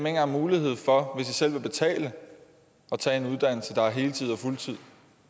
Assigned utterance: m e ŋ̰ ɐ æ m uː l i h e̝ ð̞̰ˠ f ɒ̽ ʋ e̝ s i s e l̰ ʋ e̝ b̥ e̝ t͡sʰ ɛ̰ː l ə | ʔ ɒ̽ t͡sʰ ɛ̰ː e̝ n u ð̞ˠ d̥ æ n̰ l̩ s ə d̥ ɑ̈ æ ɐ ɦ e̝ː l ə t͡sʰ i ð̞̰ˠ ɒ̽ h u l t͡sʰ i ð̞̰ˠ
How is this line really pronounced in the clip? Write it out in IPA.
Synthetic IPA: m e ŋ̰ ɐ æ m uː l i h e̝ ð̞̰ˠ f ɒ̽ ʋ e̝ s i s e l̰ ʋ e̝ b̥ e̝ t͡sʰ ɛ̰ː l ə | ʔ ɒ̽ t͡sʰ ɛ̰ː e̝ n u ð̞ˠ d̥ æ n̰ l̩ s ə d̥ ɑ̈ æ ɐ ɦ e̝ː l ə t͡sʰ i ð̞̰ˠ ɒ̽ f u l t͡sʰ i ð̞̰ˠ